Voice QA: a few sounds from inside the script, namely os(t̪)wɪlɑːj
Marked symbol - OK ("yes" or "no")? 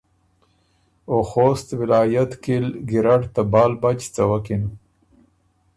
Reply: yes